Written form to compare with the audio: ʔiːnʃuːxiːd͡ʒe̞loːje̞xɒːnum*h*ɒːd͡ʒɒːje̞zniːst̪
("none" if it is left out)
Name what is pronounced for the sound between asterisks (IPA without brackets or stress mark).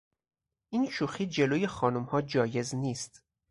h